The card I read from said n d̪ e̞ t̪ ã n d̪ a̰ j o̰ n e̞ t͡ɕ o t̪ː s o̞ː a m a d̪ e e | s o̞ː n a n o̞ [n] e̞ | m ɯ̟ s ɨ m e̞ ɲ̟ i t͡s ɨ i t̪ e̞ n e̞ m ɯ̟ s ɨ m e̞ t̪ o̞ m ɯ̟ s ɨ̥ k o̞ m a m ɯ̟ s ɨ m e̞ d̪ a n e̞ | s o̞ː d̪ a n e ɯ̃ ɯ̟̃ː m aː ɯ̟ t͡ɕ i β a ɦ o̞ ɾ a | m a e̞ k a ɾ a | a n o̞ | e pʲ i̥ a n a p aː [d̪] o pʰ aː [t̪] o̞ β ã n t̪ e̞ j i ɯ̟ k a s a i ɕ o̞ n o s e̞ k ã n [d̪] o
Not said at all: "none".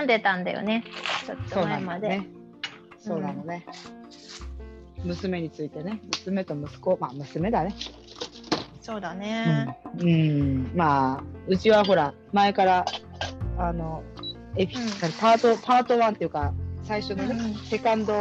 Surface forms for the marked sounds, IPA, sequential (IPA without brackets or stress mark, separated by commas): n, t̪, t̪, d̪